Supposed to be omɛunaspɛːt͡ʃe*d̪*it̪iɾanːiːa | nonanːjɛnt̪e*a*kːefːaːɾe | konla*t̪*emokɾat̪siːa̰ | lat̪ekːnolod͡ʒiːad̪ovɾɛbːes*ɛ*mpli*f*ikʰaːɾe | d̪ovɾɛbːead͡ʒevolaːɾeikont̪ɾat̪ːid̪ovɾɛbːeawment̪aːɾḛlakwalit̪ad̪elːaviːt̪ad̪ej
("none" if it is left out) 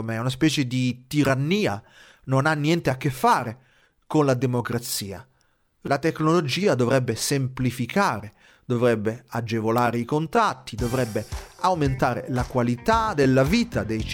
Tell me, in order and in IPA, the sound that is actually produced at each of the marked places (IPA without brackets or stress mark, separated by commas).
d̪, a, d̪, e, f